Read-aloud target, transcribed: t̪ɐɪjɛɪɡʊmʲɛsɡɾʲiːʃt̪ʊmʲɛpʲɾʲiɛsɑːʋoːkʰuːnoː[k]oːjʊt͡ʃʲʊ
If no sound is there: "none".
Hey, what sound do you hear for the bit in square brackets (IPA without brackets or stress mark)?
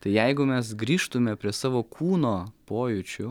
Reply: p